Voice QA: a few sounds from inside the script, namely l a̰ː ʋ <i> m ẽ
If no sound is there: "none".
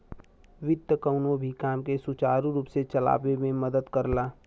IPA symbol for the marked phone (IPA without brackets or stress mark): e